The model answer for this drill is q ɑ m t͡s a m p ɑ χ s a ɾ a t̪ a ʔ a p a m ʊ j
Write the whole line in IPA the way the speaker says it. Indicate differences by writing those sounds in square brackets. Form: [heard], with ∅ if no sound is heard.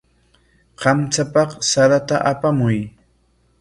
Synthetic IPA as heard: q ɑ m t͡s a [∅] p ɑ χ s a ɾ a t̪ a ʔ a p a m ʊ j